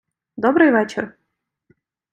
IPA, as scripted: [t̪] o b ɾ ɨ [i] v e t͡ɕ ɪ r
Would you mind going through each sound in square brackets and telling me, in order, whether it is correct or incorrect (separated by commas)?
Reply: incorrect, incorrect